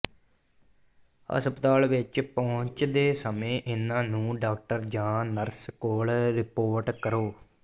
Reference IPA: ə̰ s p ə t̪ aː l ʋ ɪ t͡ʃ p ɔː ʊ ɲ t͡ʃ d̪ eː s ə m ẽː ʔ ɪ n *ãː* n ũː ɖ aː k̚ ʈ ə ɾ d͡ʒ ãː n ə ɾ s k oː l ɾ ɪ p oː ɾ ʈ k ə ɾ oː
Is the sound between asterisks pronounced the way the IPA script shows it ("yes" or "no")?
yes